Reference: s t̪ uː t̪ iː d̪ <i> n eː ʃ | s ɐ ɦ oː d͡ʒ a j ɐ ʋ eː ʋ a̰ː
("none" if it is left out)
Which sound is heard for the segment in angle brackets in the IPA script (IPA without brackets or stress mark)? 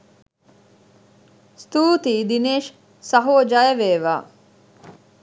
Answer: i